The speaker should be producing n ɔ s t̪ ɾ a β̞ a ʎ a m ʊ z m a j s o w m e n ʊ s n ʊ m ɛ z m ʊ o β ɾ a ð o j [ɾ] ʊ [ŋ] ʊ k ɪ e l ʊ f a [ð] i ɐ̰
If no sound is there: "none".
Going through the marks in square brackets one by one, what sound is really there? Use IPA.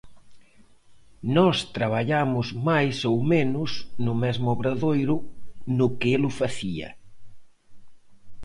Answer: ɾ, n, θ

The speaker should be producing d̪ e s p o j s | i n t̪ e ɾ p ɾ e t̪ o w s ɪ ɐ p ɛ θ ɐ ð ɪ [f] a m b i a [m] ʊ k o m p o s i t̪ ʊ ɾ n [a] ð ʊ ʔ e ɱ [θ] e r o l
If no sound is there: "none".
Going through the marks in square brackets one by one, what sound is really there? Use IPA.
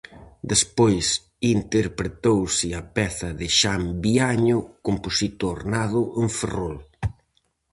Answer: ʃ, ɲ, a, f

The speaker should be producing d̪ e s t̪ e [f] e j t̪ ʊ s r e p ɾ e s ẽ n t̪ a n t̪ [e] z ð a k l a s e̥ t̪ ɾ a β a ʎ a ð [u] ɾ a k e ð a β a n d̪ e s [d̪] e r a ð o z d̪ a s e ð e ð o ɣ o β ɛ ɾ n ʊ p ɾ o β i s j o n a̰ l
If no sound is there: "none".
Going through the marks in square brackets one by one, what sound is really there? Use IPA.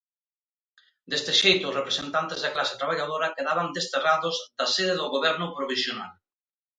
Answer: ʃ, e, o, t̪

